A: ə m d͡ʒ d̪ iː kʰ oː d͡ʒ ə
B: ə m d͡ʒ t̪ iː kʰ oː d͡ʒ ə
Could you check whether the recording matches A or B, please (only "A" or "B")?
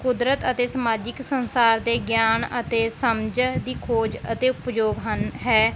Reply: A